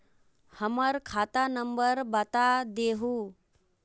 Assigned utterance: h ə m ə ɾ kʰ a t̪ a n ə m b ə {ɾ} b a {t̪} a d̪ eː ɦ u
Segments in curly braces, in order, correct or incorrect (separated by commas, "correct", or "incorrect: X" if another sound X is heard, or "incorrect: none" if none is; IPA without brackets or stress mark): correct, correct